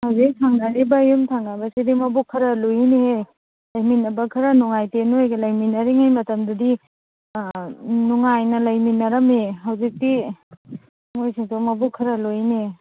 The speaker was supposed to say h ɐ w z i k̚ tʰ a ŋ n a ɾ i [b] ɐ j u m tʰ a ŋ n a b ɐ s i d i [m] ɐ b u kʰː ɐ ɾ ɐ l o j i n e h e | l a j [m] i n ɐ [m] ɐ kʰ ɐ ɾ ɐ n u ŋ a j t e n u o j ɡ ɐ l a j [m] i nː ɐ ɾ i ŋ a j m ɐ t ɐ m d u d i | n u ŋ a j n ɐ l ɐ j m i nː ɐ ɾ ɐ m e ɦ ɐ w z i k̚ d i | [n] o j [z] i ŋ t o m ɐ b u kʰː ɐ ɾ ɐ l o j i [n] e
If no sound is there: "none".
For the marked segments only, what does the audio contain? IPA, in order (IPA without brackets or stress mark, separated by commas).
b, m, m, b, m, m, s, n